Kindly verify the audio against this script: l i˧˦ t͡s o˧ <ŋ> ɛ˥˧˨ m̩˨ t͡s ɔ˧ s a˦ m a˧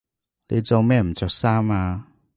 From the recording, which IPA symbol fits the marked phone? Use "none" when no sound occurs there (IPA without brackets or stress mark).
m